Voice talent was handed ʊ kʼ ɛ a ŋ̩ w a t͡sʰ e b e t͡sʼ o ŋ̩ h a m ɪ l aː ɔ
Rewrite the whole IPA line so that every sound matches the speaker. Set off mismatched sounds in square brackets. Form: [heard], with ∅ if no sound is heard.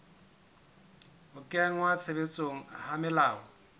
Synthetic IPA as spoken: ʊ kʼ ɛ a ŋ̩ w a t͡sʰ e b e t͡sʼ o ŋ̩ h a m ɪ l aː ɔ